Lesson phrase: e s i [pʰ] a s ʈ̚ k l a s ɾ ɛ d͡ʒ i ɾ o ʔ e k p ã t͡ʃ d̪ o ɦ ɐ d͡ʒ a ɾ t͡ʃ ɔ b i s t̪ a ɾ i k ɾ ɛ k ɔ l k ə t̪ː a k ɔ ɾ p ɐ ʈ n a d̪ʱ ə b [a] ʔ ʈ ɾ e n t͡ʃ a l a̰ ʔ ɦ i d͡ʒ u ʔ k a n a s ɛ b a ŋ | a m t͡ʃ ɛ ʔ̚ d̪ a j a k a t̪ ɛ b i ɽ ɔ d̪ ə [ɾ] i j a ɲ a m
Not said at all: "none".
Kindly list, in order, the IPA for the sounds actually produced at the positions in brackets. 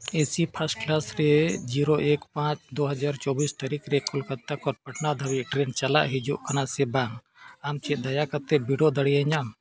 pʰ, i, ɽ

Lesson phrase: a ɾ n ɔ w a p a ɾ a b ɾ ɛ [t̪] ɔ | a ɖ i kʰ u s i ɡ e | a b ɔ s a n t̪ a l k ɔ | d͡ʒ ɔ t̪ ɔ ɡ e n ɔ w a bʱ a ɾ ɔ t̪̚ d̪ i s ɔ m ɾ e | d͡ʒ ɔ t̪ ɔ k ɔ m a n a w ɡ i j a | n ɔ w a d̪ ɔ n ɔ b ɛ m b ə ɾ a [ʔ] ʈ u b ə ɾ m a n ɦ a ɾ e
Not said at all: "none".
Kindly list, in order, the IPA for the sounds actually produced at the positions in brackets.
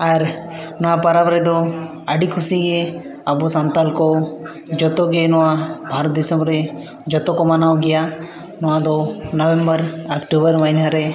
d̪, k

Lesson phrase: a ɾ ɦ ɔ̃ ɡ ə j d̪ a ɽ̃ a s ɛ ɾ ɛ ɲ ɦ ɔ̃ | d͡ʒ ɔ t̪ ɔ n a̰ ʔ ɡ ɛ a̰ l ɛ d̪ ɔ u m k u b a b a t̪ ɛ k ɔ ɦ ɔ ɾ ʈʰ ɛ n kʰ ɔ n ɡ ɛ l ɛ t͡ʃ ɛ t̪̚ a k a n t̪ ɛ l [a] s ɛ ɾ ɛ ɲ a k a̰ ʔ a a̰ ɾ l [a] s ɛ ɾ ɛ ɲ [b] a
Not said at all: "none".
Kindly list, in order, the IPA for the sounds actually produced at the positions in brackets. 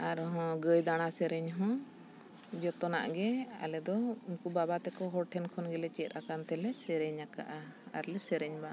ɛ, ɛ, b

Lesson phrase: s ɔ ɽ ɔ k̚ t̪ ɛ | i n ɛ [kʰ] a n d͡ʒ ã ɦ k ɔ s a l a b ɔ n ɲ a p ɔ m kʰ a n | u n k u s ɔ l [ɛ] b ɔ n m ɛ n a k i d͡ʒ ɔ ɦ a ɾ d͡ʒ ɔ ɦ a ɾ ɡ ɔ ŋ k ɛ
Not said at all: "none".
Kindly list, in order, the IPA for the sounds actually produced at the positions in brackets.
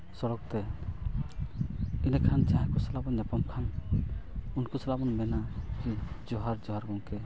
kʰ, a

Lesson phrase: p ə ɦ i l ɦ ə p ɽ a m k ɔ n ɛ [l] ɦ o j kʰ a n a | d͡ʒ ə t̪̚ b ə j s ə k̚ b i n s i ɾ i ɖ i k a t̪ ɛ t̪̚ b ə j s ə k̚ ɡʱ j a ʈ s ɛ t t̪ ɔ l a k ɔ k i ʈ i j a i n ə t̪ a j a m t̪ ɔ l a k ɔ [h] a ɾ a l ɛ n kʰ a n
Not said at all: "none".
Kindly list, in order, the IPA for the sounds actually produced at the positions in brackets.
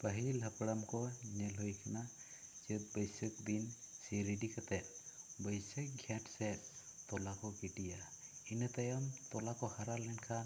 l, h

